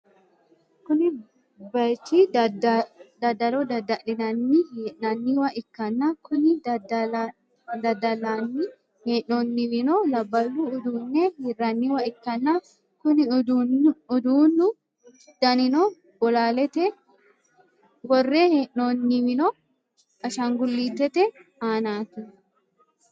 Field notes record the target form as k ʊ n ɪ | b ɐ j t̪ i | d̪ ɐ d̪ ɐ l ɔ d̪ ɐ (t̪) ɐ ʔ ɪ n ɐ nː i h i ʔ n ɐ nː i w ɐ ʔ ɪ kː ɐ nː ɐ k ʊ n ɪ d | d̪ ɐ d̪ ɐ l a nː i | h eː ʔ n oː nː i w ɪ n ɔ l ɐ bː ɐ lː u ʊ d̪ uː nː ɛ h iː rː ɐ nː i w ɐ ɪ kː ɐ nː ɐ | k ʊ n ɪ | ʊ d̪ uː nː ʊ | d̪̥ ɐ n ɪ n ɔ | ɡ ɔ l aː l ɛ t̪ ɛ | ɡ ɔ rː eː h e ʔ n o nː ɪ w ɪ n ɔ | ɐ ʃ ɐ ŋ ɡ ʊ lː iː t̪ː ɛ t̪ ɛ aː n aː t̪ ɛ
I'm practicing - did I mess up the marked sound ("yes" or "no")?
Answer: yes